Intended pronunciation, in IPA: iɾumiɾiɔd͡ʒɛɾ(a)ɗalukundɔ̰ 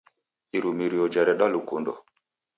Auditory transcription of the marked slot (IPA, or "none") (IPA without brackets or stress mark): ɛ